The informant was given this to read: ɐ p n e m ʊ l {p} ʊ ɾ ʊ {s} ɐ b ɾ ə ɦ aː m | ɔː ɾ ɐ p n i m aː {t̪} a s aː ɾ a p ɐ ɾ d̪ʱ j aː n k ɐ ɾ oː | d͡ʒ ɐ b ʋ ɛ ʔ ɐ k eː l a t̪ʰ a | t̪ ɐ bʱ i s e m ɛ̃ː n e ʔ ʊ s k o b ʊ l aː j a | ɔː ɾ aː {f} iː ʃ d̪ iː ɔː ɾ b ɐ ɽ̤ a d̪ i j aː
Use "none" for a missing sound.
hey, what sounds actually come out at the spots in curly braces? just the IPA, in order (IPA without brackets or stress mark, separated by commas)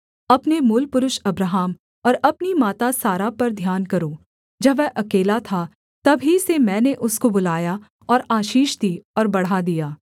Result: p, ʃ, t̪, ʃ